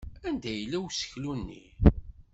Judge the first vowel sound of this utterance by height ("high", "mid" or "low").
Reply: low